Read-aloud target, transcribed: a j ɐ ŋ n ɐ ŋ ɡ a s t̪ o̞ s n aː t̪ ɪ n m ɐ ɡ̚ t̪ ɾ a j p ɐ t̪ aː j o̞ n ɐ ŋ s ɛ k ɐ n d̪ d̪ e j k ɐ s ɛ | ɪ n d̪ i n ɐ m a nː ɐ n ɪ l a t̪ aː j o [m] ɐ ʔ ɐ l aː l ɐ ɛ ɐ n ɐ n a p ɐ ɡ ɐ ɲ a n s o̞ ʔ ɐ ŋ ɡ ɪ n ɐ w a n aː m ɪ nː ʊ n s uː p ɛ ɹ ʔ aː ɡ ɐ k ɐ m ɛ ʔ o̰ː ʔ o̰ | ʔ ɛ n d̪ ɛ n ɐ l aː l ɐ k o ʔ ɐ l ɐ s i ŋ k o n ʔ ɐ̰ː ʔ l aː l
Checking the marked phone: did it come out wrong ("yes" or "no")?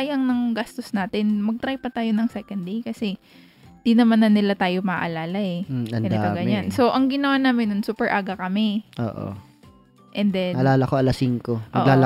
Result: no